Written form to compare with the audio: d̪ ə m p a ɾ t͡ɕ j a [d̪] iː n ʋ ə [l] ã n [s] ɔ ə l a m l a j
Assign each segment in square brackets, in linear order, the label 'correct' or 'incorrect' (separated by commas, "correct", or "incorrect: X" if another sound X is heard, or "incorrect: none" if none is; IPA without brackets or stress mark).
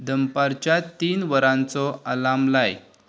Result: incorrect: t̪, incorrect: ɾ, incorrect: t͡s